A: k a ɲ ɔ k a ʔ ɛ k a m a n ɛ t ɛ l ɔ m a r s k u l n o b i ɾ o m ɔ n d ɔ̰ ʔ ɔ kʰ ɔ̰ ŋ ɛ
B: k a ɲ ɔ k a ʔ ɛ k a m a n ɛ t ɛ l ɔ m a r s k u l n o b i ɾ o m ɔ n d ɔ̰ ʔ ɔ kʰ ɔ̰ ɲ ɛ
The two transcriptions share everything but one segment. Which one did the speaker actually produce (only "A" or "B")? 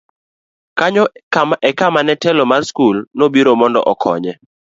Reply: B